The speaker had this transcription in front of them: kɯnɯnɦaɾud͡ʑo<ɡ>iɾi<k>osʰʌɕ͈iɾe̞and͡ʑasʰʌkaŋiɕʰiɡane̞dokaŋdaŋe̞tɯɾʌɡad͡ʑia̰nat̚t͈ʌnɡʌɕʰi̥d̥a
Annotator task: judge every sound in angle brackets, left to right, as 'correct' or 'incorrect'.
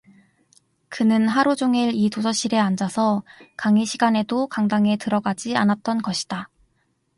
incorrect: ŋ, incorrect: t

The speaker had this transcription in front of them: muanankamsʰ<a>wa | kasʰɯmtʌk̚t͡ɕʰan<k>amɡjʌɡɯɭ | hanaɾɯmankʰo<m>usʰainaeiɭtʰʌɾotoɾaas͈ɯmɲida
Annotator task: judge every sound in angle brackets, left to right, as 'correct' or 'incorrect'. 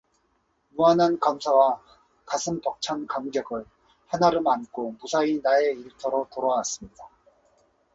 correct, correct, correct

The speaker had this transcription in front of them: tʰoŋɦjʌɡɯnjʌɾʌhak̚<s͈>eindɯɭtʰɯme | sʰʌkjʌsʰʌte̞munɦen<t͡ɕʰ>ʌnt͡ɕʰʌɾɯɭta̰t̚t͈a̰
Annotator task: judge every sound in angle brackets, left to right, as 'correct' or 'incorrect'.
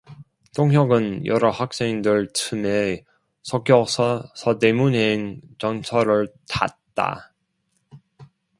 correct, incorrect: t͡ɕ

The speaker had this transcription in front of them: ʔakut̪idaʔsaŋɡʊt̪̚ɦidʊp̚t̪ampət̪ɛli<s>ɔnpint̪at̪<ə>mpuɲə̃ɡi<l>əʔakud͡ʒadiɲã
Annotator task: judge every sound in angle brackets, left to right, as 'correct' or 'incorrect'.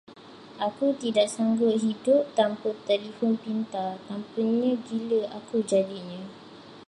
incorrect: f, incorrect: a, correct

